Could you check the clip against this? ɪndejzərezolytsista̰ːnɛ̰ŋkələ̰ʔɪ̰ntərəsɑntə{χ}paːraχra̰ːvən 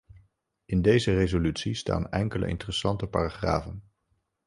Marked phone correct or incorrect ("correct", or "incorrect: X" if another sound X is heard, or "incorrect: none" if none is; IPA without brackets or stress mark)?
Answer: incorrect: none